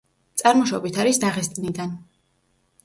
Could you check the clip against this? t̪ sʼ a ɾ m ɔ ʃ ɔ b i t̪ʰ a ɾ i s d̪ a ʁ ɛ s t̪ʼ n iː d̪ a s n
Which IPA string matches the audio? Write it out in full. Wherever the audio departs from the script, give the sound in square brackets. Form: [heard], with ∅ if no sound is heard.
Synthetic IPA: t̪ sʼ a ɾ m ɔ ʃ ɔ b i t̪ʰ a ɾ i s d̪ a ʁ ɛ s t̪ʼ n [i] d̪ a [∅] n